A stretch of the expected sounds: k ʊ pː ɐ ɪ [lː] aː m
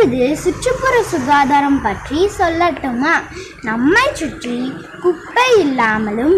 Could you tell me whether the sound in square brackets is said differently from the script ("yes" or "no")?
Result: no